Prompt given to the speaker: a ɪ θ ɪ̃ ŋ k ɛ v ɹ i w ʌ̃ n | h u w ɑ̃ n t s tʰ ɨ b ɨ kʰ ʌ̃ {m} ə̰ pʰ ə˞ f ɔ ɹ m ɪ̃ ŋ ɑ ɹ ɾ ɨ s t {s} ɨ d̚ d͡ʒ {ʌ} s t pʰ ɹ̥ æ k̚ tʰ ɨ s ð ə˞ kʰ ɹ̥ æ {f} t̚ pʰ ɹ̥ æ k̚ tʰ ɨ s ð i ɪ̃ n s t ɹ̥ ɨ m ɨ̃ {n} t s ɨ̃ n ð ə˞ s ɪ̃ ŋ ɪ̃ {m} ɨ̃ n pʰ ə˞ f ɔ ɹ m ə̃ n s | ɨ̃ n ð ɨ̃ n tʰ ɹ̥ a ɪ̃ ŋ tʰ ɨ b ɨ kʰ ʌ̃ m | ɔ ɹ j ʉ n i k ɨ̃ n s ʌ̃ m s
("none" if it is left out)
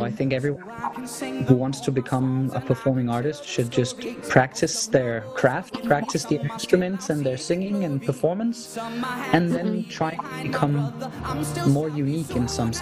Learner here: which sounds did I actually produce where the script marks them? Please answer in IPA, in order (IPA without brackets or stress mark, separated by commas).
m, ʃ, ʌ, f, n, ŋ